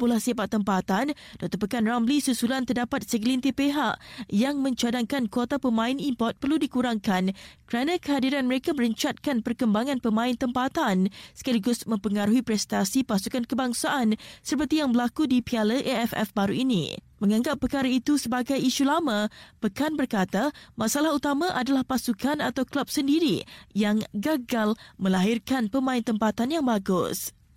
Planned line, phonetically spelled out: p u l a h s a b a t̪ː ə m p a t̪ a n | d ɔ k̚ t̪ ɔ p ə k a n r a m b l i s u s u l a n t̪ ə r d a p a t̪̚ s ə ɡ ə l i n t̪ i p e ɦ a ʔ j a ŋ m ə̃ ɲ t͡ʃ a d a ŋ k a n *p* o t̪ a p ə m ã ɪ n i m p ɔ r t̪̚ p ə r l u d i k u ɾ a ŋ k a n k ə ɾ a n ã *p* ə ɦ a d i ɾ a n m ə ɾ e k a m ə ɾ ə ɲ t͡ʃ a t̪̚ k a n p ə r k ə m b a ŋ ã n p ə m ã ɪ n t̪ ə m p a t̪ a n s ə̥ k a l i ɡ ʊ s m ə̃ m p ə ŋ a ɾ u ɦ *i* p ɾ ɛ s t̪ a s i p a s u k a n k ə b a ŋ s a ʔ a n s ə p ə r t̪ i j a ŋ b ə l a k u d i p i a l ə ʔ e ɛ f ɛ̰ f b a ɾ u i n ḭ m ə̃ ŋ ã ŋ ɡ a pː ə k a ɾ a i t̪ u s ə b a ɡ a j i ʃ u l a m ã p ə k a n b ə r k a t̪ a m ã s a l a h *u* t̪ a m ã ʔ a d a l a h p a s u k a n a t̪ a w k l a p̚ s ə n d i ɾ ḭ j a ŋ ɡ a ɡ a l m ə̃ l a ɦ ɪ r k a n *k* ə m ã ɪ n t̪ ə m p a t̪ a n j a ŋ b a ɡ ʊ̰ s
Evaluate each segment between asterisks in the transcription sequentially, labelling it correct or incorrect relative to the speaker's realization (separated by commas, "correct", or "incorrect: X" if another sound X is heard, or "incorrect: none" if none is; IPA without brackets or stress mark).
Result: incorrect: k, incorrect: k, correct, correct, incorrect: p